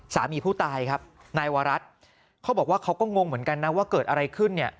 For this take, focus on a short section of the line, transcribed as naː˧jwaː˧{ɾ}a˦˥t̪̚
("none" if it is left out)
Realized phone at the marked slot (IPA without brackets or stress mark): ɾ